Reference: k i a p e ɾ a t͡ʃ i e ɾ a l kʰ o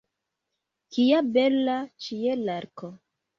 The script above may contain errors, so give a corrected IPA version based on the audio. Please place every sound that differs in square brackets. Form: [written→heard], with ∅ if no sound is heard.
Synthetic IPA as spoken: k i a [p→b] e [ɾ→l] a t͡ʃ i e [ɾ→l] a [l→ɾ] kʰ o